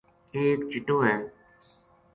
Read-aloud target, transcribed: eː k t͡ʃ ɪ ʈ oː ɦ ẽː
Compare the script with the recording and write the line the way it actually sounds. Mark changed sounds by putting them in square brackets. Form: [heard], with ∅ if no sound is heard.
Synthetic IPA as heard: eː k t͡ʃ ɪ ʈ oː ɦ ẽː